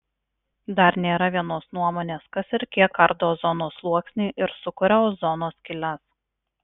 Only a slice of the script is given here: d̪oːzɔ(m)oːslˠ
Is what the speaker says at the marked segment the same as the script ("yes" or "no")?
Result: no